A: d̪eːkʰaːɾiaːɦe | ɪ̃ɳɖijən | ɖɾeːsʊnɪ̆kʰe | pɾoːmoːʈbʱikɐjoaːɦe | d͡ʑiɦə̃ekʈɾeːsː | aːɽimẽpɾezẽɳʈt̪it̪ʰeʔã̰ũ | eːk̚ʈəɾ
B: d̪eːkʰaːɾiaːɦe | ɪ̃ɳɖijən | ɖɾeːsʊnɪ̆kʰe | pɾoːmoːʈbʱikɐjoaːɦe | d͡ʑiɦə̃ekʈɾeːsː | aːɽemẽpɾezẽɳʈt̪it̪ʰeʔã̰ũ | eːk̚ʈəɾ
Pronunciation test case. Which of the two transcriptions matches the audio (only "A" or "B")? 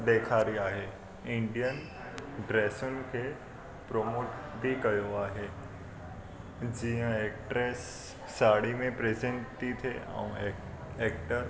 A